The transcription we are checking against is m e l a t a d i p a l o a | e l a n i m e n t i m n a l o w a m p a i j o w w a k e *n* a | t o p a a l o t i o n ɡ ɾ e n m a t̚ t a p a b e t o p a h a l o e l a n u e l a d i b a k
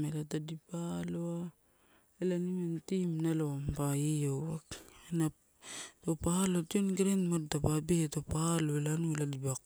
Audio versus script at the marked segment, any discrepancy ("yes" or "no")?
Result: no